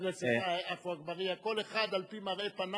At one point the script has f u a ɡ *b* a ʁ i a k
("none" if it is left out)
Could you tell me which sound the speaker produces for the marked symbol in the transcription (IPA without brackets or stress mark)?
b